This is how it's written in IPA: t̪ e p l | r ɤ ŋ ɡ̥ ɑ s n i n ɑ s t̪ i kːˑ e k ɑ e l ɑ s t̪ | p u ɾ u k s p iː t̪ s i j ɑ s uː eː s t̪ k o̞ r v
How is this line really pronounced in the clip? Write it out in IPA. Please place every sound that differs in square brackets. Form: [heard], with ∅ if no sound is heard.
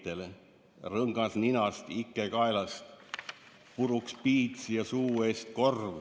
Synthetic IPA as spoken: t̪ e [∅] l | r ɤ ŋ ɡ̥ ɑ s n i n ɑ s t̪ i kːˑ e k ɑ e l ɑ s t̪ | p u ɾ u k s p iː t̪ s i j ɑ s uː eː s t̪ k o̞ r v